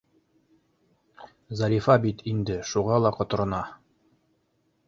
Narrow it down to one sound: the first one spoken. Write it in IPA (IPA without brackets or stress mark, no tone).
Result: z